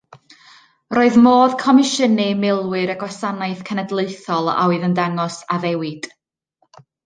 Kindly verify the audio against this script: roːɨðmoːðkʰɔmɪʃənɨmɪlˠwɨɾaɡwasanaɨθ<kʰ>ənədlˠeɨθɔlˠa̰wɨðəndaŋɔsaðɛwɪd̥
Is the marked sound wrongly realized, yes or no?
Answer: no